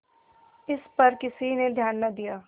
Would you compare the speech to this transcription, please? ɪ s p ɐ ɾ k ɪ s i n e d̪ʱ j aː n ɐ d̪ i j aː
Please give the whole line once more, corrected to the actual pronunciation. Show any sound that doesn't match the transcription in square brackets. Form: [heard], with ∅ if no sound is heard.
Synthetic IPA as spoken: ɪ s p ɐ ɾ k ɪ s i n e d̪ʱ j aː [nː] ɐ d̪ i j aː